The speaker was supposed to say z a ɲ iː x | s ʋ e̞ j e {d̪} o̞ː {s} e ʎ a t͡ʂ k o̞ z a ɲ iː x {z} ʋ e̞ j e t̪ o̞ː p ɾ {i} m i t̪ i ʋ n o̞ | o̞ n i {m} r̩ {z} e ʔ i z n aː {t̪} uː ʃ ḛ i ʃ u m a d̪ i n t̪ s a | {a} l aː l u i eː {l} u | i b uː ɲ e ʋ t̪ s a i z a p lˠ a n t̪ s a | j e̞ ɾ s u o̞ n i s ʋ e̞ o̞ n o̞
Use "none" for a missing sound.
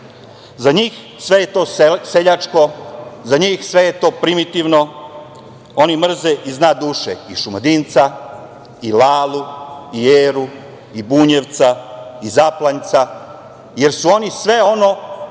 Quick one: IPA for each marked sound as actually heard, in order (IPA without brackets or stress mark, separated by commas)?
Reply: t̪, s, s, i, m, z, d̪, i, ɾ